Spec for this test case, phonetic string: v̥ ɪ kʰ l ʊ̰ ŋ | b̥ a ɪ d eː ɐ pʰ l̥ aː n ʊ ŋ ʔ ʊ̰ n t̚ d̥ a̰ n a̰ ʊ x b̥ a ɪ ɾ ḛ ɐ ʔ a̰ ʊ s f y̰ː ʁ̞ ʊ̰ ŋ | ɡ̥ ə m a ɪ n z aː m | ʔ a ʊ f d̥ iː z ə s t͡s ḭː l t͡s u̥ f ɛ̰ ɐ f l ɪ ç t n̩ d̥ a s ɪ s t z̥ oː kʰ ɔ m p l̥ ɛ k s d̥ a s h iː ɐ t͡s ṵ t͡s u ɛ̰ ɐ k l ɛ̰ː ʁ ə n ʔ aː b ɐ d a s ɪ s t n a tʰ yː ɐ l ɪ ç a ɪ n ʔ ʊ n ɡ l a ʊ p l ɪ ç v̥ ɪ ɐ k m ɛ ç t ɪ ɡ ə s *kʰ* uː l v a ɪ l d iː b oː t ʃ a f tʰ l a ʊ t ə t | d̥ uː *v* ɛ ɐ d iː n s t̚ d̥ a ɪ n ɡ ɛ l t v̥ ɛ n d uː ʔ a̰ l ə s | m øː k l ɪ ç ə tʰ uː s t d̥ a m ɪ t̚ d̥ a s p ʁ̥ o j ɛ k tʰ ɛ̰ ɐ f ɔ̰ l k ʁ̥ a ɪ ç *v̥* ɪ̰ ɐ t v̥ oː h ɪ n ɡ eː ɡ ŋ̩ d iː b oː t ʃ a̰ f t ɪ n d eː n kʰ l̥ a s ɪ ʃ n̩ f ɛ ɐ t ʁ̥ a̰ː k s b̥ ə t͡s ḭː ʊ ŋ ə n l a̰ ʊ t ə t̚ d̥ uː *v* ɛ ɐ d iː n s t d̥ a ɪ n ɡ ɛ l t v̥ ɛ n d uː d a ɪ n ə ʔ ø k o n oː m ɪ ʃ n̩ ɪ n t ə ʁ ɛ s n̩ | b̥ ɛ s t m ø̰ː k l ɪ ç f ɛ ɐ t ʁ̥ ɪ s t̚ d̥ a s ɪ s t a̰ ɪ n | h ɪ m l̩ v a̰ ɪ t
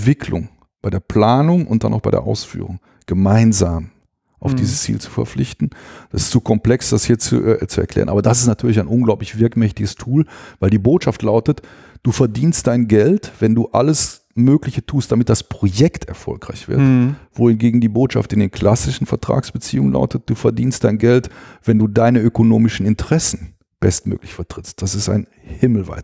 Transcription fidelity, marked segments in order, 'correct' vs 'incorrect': incorrect, incorrect, correct, incorrect

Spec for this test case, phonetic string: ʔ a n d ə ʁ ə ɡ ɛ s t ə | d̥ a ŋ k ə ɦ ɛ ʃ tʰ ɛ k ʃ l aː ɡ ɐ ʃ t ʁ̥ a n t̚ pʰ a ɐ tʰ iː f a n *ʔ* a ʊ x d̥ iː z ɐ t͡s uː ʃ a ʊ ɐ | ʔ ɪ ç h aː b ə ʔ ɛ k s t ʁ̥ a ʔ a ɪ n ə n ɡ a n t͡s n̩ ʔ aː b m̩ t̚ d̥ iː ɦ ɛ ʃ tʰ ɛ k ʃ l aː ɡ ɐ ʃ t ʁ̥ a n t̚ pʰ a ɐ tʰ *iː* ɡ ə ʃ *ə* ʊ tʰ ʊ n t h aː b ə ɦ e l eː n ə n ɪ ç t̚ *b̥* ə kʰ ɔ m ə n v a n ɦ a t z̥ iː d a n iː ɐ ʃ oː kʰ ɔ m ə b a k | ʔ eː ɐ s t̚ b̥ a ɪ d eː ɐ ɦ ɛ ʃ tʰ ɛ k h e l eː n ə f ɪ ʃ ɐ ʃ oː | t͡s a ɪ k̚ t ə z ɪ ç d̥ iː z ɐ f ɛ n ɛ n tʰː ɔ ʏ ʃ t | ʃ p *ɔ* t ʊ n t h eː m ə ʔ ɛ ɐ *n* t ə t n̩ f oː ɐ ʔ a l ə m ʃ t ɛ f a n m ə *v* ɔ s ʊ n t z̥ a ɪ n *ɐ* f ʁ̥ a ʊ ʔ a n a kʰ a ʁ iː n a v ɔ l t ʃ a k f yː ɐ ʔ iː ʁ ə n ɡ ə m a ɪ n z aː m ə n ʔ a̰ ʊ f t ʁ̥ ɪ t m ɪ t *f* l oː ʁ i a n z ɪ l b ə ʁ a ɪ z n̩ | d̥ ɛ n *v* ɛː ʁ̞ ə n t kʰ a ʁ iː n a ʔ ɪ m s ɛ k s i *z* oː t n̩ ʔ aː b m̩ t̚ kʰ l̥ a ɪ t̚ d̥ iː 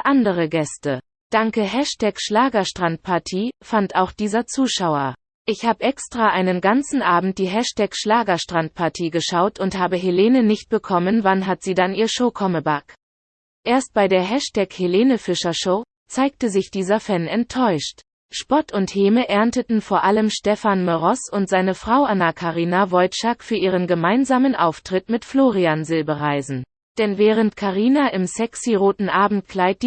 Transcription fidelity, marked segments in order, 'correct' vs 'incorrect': incorrect, correct, incorrect, correct, correct, correct, incorrect, incorrect, correct, correct, incorrect

